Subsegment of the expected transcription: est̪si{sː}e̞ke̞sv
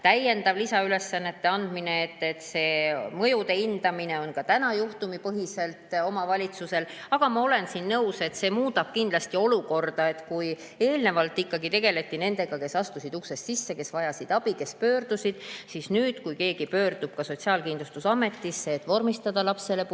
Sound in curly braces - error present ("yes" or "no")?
no